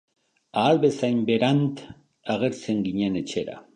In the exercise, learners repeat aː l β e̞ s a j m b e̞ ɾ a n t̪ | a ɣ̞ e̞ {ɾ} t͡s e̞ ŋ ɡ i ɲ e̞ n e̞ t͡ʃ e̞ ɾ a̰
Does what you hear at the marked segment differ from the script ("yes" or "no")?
no